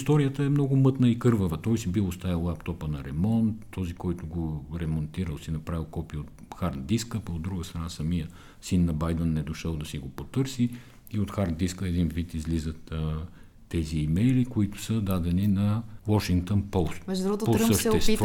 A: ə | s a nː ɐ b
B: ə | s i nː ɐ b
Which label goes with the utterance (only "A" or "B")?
B